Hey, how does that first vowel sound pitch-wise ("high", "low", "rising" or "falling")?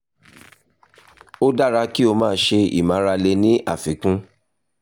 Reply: high